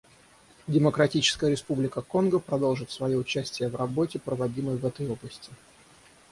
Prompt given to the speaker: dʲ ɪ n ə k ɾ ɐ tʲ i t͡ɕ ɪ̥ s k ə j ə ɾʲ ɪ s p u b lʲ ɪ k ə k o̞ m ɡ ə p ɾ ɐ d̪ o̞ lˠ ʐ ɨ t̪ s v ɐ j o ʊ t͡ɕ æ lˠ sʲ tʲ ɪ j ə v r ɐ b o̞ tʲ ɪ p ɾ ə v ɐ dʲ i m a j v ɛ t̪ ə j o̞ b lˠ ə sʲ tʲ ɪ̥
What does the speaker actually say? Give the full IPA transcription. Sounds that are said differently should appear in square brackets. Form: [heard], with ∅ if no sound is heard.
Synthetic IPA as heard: dʲ ɪ [m] ə k ɾ ɐ tʲ i t͡ɕ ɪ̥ s k ə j ə ɾʲ ɪ s p u b lʲ ɪ k ə k o̞ [n] ɡ ə p ɾ ɐ d̪ o̞ lˠ ʐ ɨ t̪ s v ɐ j o ʊ t͡ɕ æ [∅] sʲ tʲ ɪ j ə v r ɐ b o̞ tʲ ɪ p ɾ ə v ɐ dʲ i m [ə] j v ɛ t̪ ə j o̞ b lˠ ə sʲ tʲ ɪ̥